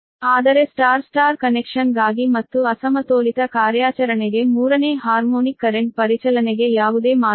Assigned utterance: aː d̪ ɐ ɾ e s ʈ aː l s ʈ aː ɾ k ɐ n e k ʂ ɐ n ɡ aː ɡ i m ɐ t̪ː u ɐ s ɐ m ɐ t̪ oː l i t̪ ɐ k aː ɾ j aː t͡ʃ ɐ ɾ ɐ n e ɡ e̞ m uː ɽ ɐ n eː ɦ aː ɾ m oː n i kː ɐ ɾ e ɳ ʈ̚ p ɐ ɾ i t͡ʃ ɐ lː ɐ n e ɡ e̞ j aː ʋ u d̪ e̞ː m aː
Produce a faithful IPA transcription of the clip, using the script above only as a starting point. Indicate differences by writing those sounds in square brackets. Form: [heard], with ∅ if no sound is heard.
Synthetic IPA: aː d̪ ɐ ɾ e s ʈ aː [ɾ] s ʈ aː ɾ k ɐ n e k ʂ ɐ n ɡ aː ɡ i m ɐ t̪ː u ɐ s ɐ m ɐ t̪ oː l i t̪ ɐ k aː ɾ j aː t͡ʃ ɐ ɾ ɐ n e ɡ e̞ m uː [ɾ] ɐ n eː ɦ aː ɾ m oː n i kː ɐ ɾ e ɳ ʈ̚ p ɐ ɾ i t͡ʃ ɐ [l] ɐ n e ɡ e̞ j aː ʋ u d̪ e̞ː m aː